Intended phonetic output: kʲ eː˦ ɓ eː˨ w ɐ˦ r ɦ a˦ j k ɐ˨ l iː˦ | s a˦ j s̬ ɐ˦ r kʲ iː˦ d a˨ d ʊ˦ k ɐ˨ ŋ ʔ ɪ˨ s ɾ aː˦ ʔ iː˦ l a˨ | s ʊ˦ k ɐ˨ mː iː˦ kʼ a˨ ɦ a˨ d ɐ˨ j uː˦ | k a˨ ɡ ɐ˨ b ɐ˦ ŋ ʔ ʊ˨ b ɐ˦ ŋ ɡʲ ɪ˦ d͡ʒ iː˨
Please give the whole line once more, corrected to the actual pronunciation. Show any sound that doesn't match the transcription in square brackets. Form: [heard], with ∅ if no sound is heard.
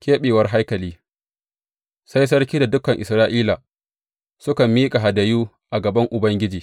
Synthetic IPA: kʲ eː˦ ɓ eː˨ w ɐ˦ r ɦ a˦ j k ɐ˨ l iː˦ | s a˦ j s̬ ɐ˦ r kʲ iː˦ d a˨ d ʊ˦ k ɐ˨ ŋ ʔ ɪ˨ s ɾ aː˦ ʔ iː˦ l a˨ | s ʊ˦ k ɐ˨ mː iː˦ kʼ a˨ ɦ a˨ d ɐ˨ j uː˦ | [ʔ] a˨ ɡ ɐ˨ b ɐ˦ ŋ ʔ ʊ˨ b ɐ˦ ŋ ɡʲ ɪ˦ d͡ʒ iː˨